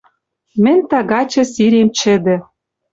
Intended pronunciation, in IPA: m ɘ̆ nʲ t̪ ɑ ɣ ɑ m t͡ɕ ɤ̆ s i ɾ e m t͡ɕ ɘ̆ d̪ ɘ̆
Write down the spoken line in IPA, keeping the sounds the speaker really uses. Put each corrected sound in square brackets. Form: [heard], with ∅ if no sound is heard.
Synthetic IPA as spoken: m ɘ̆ nʲ t̪ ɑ ɣ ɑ [∅] t͡ɕ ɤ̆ s i ɾ e m t͡ɕ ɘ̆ d̪ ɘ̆